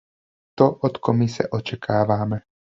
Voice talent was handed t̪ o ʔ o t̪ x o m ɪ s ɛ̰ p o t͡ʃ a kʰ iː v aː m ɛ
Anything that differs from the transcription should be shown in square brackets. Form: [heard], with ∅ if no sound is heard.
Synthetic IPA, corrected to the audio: t̪ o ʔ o t̪ [k] o m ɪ s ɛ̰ [ʔ] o t͡ʃ [ɛ] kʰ [aː] v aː m ɛ